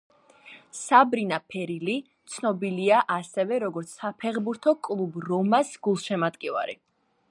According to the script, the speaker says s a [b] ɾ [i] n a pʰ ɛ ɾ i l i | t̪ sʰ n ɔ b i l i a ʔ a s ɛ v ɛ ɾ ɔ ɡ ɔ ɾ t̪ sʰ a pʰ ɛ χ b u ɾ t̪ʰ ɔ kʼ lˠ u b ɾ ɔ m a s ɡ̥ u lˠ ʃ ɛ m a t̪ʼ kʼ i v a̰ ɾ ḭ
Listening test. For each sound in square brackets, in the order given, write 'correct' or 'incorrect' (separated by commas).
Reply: correct, correct